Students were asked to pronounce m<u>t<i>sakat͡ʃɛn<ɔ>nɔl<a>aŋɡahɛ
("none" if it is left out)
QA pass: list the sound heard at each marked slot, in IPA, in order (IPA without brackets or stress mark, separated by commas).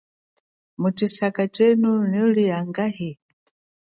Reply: u, i, u, i